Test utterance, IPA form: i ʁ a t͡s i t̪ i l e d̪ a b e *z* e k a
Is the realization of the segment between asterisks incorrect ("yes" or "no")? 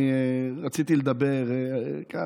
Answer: yes